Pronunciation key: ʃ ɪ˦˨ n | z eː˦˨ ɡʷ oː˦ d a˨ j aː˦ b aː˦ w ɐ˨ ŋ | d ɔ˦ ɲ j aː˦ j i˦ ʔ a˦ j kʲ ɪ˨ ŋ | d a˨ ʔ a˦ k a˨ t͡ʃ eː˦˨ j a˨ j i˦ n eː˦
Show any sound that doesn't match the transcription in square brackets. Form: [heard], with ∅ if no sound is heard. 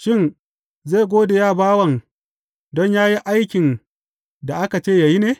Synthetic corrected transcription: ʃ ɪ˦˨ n | z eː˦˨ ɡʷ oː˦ d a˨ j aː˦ b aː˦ w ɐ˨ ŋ | d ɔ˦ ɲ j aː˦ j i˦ ʔ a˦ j kʲ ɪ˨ [n] | d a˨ ʔ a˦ k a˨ t͡ʃ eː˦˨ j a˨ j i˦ n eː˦